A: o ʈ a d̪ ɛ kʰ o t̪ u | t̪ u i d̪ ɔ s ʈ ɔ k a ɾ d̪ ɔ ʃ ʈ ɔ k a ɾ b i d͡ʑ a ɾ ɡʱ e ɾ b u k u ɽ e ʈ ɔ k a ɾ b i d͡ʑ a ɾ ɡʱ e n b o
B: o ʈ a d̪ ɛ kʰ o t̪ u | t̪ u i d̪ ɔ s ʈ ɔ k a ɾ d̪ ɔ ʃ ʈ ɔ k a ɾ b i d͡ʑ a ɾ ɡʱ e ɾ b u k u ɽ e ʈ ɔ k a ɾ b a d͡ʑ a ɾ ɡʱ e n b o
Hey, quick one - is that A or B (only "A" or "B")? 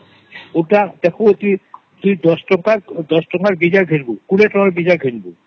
A